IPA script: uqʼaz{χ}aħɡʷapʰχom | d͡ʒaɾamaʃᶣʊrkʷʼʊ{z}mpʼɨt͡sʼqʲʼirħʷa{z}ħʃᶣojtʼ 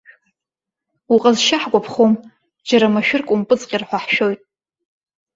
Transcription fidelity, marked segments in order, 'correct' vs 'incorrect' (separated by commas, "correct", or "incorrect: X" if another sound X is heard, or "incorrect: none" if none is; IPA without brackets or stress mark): incorrect: ʃ, incorrect: none, incorrect: none